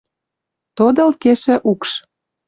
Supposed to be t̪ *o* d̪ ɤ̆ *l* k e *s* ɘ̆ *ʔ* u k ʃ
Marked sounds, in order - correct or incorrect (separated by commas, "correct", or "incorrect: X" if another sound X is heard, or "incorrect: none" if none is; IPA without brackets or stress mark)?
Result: correct, correct, incorrect: ʃ, correct